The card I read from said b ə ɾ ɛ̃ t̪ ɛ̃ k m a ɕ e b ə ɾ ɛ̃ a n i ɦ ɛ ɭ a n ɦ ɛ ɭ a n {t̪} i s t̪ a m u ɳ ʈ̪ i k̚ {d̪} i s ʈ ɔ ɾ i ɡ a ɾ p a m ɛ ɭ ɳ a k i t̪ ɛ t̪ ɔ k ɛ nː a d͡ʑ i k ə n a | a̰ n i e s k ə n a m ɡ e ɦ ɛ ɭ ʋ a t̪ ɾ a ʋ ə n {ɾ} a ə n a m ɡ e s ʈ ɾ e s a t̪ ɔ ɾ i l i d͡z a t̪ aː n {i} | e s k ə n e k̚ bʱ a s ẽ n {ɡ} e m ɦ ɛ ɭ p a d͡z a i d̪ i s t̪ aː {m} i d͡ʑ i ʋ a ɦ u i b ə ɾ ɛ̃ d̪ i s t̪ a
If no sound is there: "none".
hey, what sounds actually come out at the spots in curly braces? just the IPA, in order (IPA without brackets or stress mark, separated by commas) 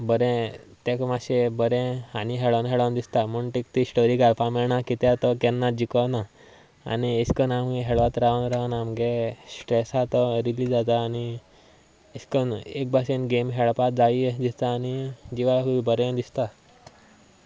d̪, t̪, ɾ, i, ɡ, n